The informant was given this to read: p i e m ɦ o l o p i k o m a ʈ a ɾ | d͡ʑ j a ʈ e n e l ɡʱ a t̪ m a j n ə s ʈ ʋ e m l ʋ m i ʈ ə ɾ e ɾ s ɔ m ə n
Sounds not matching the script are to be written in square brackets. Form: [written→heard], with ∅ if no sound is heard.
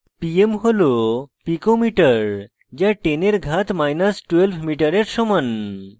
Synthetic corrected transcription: p i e m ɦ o l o p i k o m [a→i] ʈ [a→ə] ɾ | d͡ʑ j a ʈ e n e [l→ɾ] ɡʱ a t̪ m a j n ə s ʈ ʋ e [m→∅] l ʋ m i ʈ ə ɾ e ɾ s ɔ m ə n

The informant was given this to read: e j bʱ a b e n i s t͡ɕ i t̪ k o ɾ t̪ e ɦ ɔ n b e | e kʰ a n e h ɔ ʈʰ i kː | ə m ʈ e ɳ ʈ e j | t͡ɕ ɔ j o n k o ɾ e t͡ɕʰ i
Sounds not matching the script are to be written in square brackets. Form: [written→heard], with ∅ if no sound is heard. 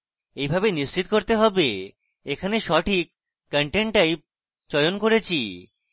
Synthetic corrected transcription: e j bʱ a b e n i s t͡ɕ i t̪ k o ɾ t̪ e ɦ ɔ [n→∅] b e | e kʰ a n e [h→ʃ] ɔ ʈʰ i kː | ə [m→ɳ] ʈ e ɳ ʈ [e→a] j | t͡ɕ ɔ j o n k o ɾ e t͡ɕʰ i

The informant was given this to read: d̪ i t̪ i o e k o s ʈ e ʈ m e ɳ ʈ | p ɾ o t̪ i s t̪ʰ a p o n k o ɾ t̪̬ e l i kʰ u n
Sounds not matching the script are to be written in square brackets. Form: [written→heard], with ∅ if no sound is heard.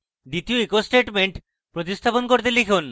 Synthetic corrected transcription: d̪ i t̪ i o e k o s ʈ e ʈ m e ɳ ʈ | p ɾ o t̪ i s t̪ʰ a p o n k o ɾ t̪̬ e l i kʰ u n

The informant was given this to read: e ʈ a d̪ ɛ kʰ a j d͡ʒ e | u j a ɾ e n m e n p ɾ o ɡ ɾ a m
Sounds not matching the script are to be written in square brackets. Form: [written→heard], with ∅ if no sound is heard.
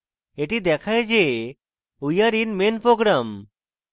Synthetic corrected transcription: e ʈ [a→i] d̪ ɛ kʰ a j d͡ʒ e | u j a ɾ [e→i] n m e n p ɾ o ɡ ɾ a m

